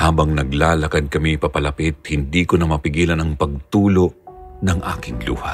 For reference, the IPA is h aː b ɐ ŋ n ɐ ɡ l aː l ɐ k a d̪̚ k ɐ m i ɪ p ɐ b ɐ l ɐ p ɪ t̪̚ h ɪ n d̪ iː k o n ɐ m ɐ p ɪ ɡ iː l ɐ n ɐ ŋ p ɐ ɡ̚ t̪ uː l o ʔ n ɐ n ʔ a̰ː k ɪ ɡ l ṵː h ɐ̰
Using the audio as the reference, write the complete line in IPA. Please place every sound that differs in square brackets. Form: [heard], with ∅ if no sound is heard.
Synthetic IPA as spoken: h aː b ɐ ŋ n ɐ ɡ l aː l ɐ k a d̪̚ k ɐ m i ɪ p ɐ [p] ɐ l ɐ p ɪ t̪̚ h ɪ n d̪ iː k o n ɐ m ɐ p ɪ ɡ iː l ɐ n ɐ ŋ p ɐ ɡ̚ t̪ uː l o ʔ n ɐ [ŋ] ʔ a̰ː k ɪ [ŋ] l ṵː h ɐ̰